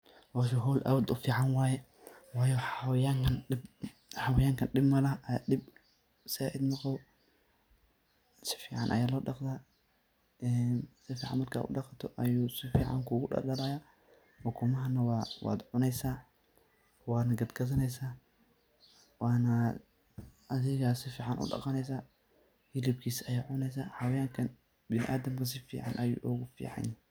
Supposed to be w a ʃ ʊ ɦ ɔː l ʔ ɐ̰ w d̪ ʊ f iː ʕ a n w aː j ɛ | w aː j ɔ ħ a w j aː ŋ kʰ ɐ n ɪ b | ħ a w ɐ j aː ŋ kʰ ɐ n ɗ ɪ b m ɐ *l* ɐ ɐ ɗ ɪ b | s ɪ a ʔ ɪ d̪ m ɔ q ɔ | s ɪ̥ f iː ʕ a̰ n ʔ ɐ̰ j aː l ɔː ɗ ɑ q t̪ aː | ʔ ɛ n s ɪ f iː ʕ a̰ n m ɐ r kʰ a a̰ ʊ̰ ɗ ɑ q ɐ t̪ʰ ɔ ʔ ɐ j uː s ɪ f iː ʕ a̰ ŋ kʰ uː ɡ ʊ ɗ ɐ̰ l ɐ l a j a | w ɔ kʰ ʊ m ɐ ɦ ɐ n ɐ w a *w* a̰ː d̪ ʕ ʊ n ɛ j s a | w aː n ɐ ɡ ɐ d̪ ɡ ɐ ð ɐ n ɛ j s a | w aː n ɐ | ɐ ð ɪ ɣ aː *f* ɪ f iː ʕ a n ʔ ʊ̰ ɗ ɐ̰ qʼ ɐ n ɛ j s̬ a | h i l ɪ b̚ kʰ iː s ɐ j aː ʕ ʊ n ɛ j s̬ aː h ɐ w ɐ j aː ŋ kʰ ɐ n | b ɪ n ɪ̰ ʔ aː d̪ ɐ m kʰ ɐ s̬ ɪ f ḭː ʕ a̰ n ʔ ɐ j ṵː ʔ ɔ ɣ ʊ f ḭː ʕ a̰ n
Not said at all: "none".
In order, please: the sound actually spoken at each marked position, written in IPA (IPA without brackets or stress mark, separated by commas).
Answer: l, w, s